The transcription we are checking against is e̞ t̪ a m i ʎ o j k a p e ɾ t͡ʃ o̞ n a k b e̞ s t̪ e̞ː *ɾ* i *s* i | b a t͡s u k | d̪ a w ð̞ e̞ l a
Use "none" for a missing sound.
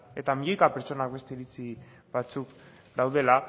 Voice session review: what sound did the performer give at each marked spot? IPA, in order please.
ɾ, t͡s

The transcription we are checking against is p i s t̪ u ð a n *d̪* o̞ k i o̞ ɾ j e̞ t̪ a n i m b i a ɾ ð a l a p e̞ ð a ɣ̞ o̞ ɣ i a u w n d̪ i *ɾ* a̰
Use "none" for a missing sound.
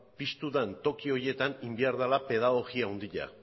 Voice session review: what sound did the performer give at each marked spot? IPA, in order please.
t̪, ʎ

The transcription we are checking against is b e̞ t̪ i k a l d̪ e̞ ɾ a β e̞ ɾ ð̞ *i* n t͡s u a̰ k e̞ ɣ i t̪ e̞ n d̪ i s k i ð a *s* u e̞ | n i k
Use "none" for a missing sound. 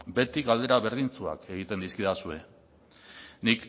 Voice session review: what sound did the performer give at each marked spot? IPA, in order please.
i, s

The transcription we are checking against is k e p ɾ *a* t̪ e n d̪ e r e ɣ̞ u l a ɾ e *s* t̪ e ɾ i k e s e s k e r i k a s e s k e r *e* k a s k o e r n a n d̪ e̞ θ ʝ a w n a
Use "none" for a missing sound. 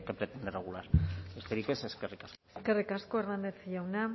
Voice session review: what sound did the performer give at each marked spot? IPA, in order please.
e, s, i

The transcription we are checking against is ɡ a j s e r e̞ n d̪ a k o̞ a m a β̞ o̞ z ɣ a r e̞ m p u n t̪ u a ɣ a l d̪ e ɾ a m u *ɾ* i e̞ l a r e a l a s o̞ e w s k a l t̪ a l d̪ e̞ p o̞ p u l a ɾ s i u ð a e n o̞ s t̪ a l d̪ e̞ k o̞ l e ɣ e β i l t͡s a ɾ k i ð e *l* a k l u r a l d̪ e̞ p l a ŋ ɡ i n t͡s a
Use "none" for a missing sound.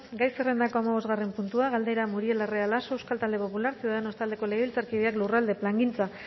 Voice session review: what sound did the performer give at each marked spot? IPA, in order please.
ɾ, none

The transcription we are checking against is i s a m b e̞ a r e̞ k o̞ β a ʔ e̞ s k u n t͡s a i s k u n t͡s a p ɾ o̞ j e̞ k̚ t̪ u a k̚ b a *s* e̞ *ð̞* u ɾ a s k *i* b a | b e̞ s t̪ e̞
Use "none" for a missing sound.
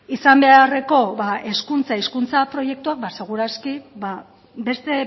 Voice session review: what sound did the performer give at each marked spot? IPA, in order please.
s, ɣ̞, i

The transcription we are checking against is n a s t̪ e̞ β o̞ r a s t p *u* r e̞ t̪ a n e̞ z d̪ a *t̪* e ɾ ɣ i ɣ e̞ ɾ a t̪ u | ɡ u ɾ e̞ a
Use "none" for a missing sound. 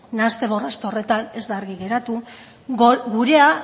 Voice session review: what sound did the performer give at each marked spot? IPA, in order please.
o, none

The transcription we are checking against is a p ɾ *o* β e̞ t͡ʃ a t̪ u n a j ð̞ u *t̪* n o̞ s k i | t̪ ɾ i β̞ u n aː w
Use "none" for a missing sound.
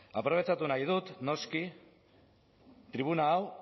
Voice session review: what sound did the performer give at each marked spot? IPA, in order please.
o, t̪

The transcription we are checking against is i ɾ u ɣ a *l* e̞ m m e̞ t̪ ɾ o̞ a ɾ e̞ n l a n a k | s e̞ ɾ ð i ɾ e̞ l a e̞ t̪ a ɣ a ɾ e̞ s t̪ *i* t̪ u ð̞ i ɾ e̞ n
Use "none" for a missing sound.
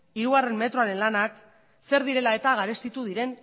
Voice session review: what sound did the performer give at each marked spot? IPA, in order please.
r, i

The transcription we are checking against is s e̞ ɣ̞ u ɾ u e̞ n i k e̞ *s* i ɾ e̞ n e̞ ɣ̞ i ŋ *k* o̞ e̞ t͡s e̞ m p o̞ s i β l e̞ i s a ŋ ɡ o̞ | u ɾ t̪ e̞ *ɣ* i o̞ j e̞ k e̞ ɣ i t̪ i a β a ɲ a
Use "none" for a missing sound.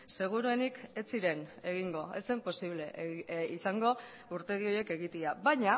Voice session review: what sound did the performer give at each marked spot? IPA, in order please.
t͡s, ɡ, ð

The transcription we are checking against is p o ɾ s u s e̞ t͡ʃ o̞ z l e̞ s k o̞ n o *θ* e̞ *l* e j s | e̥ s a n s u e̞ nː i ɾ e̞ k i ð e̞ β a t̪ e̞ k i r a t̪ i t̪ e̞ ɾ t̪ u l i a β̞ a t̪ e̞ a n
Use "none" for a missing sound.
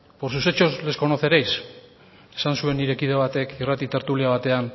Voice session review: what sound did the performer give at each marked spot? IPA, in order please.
θ, ɾ

